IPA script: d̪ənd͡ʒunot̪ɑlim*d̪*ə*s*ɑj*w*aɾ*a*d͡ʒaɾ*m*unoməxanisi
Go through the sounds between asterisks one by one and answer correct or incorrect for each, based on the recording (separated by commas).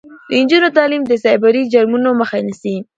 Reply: correct, correct, incorrect, incorrect, correct